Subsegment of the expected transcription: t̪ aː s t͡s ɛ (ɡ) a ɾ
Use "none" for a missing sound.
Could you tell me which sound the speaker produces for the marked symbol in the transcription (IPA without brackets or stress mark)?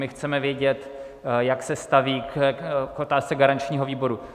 ɡ